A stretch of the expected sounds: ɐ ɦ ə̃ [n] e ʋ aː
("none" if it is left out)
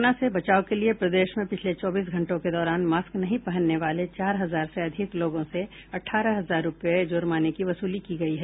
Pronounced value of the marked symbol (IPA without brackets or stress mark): nː